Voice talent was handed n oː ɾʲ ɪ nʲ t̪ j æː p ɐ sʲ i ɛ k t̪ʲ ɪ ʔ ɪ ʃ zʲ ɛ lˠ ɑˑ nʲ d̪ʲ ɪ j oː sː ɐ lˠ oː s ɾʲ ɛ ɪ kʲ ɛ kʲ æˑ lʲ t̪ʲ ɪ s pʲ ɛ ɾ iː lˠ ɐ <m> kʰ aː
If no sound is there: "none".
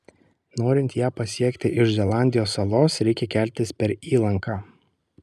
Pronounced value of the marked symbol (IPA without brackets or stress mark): ŋ